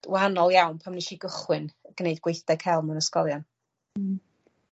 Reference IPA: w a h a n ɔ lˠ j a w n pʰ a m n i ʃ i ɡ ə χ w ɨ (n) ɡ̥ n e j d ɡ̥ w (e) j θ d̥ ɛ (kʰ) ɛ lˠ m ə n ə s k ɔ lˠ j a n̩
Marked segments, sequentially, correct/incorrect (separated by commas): correct, correct, correct